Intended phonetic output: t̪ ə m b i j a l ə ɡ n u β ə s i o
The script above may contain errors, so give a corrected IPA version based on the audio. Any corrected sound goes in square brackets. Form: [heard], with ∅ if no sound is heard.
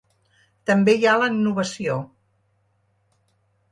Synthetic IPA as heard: t̪ ə m b [e] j a l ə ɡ n u β ə s i o